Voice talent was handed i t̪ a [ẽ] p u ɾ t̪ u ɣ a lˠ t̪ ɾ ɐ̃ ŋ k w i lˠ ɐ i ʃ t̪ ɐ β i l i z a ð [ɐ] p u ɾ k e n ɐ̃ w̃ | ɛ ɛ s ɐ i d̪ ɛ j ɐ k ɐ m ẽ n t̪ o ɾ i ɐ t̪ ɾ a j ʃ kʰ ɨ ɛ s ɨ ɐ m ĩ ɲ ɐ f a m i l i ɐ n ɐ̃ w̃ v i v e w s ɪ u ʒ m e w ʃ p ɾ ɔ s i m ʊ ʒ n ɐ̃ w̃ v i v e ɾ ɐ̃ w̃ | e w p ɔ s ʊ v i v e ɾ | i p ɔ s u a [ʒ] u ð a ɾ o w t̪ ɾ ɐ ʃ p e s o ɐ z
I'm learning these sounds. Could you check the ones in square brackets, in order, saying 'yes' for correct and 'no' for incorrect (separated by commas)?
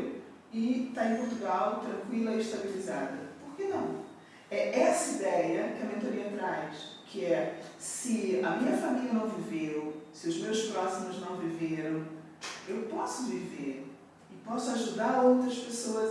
yes, yes, yes